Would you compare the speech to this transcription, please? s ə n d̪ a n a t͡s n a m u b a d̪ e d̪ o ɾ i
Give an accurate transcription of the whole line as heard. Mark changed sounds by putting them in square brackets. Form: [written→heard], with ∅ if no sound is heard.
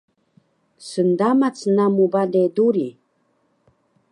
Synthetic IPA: s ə n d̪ a [n→m] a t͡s n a m u b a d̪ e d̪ [o→u] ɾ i